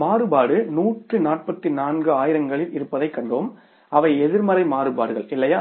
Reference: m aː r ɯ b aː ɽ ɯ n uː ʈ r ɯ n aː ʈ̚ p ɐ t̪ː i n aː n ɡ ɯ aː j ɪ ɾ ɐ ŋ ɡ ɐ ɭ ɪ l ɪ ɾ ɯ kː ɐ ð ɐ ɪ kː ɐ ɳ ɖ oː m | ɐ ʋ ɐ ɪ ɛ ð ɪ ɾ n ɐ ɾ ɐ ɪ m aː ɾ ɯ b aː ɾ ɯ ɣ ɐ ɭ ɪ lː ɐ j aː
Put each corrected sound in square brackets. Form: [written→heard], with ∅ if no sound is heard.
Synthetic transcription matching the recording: m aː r ɯ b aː ɽ ɯ n uː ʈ r ɯ n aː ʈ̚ p ɐ t̪ː i n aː n ɡ ɯ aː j ɪ ɾ ɐ ŋ ɡ ɐ ɭ ɪ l ɪ ɾ ɯ [kː→pː] ɐ ð ɐ ɪ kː ɐ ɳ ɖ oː m | ɐ ʋ ɐ ɪ ɛ ð ɪ ɾ [n→m] ɐ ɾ ɐ ɪ m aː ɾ ɯ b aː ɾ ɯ ɣ ɐ ɭ ɪ lː ɐ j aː